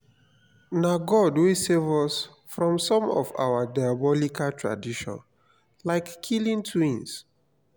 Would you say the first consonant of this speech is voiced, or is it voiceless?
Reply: voiced